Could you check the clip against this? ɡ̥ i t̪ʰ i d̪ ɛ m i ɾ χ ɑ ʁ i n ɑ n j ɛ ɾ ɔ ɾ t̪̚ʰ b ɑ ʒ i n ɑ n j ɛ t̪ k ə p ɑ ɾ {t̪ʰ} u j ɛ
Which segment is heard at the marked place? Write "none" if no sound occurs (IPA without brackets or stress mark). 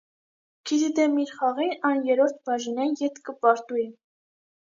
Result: t̪